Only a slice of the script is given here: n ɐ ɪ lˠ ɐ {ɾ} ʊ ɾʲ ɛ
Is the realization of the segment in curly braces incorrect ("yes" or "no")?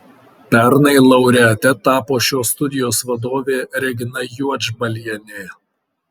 yes